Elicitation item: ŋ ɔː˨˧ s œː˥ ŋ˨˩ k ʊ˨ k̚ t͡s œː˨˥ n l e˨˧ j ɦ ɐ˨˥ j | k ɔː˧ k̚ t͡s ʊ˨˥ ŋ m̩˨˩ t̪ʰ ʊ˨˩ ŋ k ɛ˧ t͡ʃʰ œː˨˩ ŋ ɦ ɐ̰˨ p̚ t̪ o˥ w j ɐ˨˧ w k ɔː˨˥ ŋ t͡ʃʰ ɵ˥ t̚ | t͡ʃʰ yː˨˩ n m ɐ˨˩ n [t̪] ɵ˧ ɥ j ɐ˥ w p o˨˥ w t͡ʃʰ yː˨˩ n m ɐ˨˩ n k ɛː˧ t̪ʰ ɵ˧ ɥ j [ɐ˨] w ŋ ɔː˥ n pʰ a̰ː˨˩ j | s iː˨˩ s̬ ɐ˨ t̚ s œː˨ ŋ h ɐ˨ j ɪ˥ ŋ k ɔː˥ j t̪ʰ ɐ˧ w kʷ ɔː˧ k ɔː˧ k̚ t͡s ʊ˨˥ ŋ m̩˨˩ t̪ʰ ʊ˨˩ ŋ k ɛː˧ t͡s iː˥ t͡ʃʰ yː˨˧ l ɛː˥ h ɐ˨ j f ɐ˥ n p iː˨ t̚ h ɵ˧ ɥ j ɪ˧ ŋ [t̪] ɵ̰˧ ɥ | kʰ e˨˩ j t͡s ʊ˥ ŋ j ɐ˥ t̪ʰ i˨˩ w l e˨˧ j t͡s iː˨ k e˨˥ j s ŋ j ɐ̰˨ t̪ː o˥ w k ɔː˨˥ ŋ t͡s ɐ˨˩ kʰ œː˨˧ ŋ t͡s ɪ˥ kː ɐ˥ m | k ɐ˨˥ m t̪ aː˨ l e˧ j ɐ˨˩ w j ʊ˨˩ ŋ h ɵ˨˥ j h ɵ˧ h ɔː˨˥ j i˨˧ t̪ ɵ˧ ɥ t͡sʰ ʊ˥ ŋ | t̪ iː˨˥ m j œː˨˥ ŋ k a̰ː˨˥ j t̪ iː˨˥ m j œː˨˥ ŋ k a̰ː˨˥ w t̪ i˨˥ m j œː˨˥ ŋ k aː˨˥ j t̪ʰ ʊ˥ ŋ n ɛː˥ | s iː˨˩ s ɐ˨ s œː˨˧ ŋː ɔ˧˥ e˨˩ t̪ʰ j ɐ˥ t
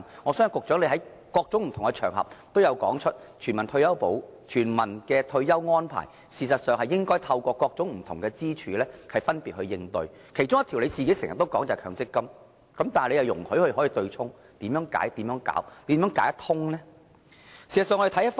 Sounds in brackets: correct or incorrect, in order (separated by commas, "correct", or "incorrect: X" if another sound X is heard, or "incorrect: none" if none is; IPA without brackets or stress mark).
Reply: incorrect: t̪ʰ, incorrect: ɐ˥, correct